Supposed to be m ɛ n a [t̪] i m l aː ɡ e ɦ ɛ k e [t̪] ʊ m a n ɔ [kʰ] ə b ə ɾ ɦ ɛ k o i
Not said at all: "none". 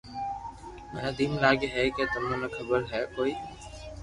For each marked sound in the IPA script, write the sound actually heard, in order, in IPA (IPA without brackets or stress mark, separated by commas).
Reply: d̪, t̪, kʰ